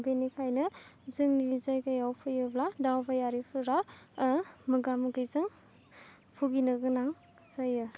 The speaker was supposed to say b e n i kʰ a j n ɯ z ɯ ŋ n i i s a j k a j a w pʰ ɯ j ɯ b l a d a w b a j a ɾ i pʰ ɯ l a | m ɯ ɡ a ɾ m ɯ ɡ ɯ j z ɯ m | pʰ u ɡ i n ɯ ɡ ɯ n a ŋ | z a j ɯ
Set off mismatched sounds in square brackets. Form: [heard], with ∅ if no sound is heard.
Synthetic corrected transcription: b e n i kʰ a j n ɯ z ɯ ŋ n i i [z] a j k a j a w pʰ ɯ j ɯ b l a d a w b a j a ɾ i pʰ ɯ [ɾ] a | m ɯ ɡ a [∅] m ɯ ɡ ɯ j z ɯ [ŋ] | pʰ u ɡ i n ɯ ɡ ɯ n a ŋ | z a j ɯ